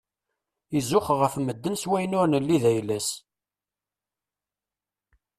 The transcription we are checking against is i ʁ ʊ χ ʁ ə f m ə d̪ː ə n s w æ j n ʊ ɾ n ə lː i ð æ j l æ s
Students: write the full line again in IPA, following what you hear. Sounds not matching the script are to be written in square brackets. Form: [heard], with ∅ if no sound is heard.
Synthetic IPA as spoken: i [z] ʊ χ ʁ ə f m ə d̪ː ə n s w æ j n ʊ ɾ n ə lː i ð æ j l æ s